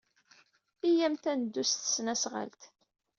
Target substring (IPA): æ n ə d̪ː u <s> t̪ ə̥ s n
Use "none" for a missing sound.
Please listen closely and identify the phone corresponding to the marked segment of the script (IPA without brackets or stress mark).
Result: s